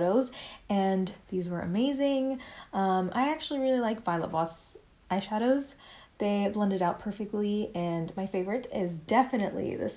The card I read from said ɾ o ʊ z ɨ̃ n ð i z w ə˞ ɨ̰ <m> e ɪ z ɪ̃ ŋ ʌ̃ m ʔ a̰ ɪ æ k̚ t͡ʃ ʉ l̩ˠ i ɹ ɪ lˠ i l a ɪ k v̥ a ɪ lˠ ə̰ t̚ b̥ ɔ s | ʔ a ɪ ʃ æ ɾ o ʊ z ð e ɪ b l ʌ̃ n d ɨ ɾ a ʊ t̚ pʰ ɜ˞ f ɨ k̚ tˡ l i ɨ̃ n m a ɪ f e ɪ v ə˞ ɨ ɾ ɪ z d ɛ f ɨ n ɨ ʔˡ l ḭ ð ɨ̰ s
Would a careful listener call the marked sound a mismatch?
no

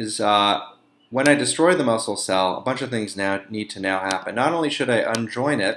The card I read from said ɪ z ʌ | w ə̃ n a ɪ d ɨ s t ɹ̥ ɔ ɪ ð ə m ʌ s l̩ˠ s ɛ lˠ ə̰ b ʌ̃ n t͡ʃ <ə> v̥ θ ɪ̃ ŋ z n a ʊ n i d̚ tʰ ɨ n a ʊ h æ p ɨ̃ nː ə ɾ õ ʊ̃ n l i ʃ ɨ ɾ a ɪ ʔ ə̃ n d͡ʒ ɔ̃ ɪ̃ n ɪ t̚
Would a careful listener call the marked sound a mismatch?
yes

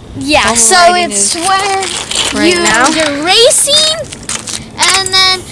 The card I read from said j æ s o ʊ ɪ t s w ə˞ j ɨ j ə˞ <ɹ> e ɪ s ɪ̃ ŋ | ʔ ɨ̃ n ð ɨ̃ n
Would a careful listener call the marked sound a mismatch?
no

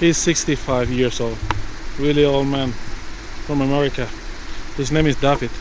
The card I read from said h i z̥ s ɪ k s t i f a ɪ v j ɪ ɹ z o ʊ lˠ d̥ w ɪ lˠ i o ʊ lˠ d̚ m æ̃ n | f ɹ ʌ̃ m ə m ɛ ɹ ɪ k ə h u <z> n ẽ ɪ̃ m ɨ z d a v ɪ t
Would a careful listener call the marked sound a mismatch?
no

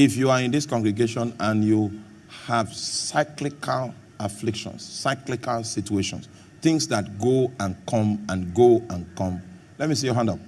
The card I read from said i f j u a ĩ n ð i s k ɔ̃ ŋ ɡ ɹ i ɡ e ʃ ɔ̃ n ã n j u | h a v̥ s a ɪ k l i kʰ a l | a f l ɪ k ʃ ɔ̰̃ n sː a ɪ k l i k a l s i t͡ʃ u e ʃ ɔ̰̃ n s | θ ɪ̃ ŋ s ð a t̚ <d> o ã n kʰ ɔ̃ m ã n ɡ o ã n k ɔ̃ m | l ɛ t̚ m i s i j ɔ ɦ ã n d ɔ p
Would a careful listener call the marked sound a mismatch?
yes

